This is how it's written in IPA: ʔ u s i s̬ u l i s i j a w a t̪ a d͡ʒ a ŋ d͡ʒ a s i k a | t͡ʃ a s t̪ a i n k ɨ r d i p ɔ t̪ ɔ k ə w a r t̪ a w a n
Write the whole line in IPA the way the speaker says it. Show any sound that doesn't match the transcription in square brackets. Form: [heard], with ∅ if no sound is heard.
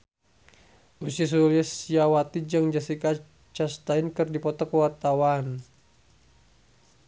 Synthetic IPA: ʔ u s i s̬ u l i s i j a w a t̪ [i] d͡ʒ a ŋ d͡ʒ a s i k a | t͡ʃ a s t̪ a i n k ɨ r d i p ɔ t̪ ɔ k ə w a r t̪ a w a n